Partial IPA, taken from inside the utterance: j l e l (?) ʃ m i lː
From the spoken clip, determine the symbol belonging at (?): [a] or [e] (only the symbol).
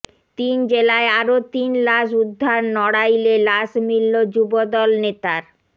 a